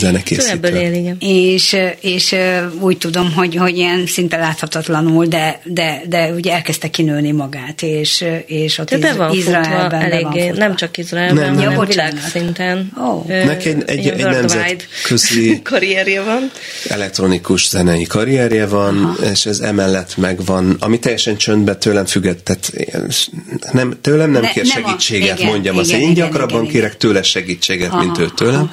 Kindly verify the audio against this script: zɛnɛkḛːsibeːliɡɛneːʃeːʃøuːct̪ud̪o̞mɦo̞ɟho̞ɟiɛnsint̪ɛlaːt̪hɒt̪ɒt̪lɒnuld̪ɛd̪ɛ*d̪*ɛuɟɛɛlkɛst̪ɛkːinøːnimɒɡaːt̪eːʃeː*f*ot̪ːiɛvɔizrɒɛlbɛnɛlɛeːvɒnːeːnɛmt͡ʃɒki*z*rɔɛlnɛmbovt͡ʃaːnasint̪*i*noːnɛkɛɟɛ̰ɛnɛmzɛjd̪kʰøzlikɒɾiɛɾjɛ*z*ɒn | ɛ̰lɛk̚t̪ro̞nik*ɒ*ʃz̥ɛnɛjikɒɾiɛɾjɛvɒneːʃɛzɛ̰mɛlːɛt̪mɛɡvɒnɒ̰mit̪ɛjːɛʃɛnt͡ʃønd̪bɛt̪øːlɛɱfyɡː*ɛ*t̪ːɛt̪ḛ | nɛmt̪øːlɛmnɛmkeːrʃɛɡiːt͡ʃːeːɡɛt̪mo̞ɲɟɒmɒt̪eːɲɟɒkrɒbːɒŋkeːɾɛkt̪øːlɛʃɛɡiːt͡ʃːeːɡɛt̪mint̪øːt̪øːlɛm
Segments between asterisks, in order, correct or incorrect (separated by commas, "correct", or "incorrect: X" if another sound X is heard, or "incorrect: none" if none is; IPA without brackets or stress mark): correct, incorrect: ʃ, correct, incorrect: ɛ, incorrect: v, incorrect: u, correct